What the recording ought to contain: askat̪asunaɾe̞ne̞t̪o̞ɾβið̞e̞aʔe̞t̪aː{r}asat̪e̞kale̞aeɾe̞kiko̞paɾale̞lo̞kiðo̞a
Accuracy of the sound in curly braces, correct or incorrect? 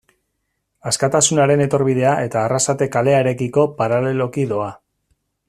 correct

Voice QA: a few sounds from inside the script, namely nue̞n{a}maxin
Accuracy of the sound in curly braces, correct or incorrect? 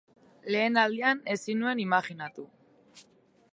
incorrect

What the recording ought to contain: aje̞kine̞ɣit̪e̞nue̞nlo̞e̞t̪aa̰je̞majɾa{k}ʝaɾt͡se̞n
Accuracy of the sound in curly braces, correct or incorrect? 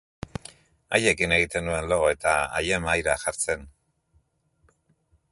incorrect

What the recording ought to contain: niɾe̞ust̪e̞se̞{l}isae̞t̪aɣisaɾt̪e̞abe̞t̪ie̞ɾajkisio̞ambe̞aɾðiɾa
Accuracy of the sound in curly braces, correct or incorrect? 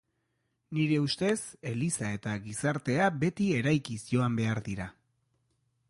correct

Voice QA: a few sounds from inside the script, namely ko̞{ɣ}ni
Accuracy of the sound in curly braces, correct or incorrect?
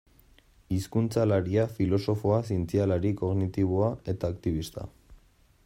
correct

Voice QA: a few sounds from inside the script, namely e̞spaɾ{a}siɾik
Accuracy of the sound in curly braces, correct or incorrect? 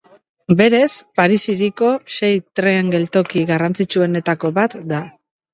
incorrect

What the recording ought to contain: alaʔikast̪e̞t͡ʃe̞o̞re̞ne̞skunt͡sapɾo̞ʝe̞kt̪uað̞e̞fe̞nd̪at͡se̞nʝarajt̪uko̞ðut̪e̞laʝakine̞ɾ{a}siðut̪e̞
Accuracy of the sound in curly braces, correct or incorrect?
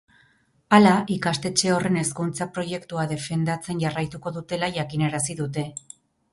correct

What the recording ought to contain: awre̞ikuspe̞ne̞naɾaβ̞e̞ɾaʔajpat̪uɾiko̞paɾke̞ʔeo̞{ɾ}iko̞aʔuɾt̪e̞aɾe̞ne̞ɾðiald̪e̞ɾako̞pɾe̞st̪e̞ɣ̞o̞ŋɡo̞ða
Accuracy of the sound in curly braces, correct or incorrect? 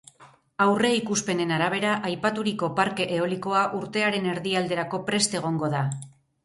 incorrect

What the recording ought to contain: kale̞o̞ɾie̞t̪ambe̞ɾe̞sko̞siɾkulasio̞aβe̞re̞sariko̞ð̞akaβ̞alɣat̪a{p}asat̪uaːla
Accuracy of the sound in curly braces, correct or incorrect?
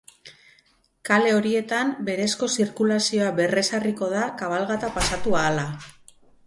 correct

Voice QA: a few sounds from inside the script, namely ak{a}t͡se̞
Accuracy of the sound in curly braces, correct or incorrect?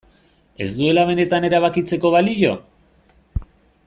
incorrect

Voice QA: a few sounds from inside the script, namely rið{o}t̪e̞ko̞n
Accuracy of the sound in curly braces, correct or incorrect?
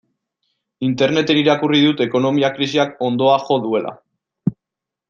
incorrect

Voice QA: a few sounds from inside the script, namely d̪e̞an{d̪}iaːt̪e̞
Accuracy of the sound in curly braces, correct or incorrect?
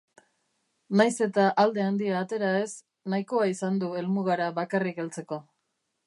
correct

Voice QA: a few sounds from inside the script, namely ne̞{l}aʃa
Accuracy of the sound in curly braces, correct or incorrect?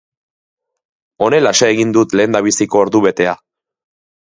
correct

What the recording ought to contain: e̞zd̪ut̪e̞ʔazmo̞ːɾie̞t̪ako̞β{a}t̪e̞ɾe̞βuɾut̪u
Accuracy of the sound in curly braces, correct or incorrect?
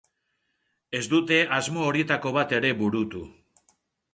correct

